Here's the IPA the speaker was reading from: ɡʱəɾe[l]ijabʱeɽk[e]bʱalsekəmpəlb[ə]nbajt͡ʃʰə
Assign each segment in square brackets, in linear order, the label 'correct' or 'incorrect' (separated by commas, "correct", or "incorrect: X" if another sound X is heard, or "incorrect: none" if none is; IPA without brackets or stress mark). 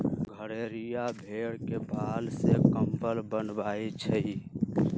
incorrect: ɾ, correct, correct